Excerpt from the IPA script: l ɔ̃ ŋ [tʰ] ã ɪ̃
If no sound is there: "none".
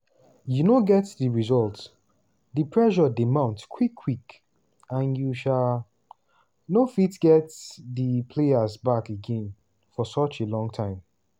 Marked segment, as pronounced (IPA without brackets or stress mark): tʰ